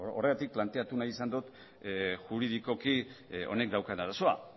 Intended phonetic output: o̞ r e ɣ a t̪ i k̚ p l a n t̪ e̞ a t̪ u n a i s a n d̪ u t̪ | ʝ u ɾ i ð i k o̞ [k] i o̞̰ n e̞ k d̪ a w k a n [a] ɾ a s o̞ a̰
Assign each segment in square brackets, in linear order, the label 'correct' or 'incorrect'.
correct, correct

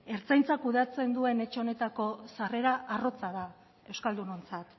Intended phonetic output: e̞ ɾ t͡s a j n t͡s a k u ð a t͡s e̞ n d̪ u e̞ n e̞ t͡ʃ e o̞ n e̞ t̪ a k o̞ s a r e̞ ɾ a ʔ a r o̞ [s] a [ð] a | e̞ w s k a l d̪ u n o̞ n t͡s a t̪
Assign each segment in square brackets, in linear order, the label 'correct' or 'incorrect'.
incorrect, correct

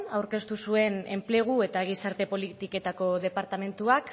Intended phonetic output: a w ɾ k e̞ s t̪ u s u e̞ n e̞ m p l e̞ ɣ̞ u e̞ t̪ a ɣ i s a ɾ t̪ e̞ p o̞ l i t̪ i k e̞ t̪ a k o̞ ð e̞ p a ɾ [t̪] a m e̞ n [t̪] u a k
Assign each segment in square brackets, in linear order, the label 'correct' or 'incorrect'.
correct, correct

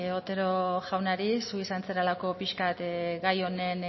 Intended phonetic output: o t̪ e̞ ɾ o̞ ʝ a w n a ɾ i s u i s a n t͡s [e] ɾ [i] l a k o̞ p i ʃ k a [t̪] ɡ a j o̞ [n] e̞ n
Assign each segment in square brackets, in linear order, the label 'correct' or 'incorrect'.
correct, incorrect, correct, correct

